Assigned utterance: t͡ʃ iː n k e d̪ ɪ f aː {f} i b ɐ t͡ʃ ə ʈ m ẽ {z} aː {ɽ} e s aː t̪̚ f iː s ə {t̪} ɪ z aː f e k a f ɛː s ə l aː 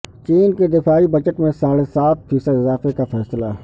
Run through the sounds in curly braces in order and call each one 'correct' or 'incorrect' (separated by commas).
incorrect, incorrect, correct, incorrect